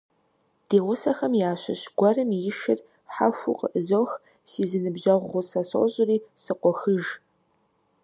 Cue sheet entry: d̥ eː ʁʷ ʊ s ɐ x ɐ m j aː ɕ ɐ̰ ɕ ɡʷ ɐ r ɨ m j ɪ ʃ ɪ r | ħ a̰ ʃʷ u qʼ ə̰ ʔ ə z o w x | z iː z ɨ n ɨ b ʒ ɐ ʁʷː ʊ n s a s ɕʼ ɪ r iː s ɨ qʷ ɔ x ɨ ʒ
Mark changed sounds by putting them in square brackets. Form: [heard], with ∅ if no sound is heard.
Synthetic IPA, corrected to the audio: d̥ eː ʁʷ ʊ s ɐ x ɐ m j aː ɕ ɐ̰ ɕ ɡʷ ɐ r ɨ m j ɪ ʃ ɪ r | ħ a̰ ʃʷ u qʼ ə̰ ʔ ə z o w x | [s] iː z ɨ n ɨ b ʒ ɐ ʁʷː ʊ [∅] s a s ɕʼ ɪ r iː s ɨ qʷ ɔ x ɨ ʒ

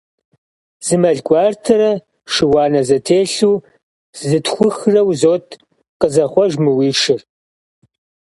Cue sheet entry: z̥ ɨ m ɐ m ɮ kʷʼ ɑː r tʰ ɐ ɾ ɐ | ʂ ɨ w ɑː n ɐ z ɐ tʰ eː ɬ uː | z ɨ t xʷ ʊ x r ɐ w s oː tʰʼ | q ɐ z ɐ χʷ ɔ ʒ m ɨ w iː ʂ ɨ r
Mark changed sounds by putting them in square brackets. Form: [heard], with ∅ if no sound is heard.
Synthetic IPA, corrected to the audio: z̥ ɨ m ɐ [∅] ɮ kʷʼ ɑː r tʰ ɐ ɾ ɐ | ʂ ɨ w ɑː n ɐ z ɐ tʰ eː ɬ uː | z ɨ t xʷ ʊ x r ɐ w [z] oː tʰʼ | q [ə] z ɐ χʷ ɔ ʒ m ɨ w iː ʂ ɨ r

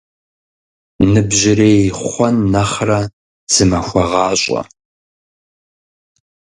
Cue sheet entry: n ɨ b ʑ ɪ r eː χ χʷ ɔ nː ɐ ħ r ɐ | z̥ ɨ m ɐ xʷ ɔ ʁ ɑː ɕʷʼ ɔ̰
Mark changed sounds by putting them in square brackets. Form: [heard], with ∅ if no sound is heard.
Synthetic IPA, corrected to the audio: n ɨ b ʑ ɪ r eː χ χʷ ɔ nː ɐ [χ] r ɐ | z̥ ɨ m ɐ xʷ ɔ ʁ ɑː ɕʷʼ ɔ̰

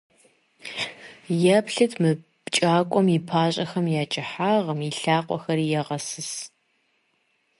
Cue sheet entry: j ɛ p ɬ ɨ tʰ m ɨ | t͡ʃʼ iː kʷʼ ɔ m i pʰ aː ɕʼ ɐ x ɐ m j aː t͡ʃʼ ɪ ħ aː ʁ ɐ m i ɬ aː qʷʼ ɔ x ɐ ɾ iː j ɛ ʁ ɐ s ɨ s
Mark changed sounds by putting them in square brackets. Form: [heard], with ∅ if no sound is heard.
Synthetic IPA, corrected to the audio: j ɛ p ɬ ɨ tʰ m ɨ | t͡ʃʼ [aː] kʷʼ ɔ m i pʰ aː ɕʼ ɐ x ɐ m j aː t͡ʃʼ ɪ ħ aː ʁ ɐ m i ɬ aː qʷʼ ɔ x ɐ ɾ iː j ɛ ʁ ɐ s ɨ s

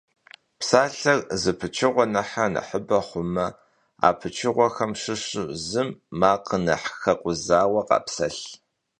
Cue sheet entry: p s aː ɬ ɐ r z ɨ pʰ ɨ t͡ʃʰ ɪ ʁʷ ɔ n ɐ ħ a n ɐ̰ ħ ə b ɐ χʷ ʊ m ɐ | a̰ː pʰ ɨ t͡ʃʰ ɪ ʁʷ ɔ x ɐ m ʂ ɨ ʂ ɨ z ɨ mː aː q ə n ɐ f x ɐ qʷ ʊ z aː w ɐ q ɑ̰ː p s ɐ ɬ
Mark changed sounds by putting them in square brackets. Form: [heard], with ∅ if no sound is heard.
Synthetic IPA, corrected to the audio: p s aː ɬ ɐ r z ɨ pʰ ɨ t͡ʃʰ ɪ ʁʷ ɔ n ɐ ħ a n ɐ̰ ħ ə b ɐ χʷ ʊ m ɐ | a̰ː pʰ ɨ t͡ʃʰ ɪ ʁʷ ɔ x ɐ m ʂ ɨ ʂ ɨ z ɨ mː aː q ə n ɐ [ħ] x ɐ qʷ ʊ z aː w ɐ q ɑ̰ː p s ɐ ɬ

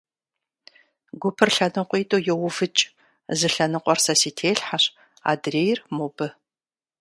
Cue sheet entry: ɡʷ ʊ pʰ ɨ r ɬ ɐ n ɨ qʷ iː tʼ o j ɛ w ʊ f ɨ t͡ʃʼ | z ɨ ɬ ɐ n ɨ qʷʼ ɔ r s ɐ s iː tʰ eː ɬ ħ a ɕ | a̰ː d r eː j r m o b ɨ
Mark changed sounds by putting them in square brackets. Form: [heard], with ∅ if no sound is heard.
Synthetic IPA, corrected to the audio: ɡʷ ʊ pʰ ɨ r ɬ ɐ n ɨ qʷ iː tʼ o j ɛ w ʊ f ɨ t͡ʃʼ | z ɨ ɬ ɐ n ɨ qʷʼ ɔ r s ɐ s iː tʰ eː ɬ ħ a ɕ | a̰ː d r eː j r m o b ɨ

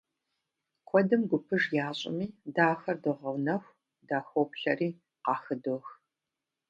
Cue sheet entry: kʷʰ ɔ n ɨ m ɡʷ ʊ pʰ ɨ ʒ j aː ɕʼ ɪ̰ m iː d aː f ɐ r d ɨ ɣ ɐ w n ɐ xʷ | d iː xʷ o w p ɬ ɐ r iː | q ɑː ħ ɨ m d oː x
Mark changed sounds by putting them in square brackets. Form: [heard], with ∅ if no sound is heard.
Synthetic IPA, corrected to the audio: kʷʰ ɔ [d] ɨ m ɡʷ ʊ pʰ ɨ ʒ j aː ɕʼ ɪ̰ m iː d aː [x] ɐ r d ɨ [ʁ] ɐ w n ɐ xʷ | d [aː] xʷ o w p ɬ ɐ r iː | q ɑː [x] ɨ [∅] d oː x

